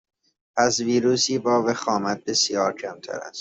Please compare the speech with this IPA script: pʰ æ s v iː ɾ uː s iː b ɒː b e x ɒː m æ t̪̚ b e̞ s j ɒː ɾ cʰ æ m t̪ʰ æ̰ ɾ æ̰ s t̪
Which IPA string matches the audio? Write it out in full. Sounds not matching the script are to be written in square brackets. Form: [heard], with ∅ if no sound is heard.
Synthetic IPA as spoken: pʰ æ s v iː ɾ uː s iː b ɒː [v] e x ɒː m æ t̪̚ b e̞ s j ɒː ɾ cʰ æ m t̪ʰ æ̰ ɾ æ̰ s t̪